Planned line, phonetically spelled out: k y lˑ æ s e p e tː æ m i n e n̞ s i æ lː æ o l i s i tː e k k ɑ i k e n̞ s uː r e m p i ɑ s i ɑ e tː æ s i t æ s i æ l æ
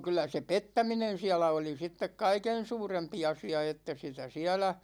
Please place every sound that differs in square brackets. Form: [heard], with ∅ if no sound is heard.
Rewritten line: k y lˑ æ s e p e tː æ m i n e n̞ s i æ [l] æ o l i s i tː e k k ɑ i k e n̞ s uː r e m p i ɑ s i ɑ e tː æ s i t æ s i æ l æ